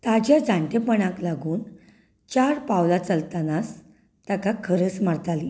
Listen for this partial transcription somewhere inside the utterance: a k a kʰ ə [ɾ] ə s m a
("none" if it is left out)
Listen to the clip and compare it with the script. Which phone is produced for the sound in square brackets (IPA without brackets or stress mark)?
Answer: ɾ